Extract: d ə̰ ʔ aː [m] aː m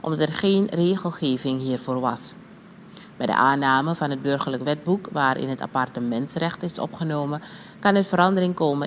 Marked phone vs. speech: incorrect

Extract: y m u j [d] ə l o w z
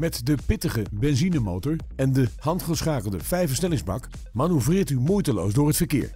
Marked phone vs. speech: incorrect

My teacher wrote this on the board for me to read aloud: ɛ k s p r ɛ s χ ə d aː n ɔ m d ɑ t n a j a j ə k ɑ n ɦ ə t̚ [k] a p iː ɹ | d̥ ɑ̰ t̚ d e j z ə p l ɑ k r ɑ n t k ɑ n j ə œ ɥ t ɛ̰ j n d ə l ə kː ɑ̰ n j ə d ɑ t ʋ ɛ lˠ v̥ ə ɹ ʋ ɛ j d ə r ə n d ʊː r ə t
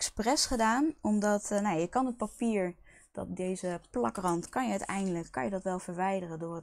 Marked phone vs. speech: incorrect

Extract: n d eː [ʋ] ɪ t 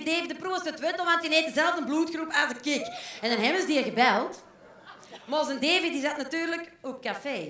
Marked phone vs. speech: incorrect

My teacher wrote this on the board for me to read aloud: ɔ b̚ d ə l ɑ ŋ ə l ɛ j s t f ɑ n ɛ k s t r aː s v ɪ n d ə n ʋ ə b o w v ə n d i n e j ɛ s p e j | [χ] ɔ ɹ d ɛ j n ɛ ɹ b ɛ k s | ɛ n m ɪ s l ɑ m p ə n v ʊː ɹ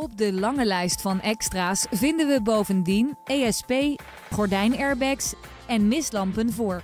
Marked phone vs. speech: correct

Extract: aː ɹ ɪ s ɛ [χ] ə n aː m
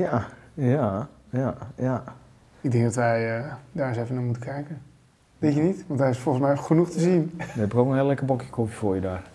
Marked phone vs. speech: incorrect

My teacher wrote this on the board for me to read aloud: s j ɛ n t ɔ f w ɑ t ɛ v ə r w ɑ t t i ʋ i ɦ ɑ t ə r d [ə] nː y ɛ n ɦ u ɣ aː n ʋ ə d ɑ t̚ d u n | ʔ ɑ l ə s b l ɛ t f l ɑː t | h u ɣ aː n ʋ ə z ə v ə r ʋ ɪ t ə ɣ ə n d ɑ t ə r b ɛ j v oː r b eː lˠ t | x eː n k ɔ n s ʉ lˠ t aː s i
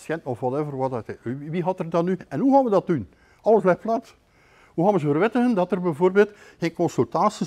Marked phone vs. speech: incorrect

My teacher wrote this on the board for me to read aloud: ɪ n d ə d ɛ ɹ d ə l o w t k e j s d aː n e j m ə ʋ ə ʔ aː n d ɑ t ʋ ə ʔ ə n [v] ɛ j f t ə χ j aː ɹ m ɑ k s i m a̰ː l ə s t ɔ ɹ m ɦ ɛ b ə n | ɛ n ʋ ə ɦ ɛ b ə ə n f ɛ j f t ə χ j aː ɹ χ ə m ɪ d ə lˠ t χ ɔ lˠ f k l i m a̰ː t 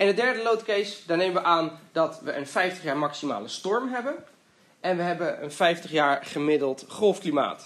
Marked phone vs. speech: incorrect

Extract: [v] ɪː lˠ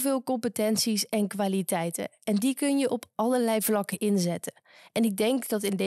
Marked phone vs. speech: correct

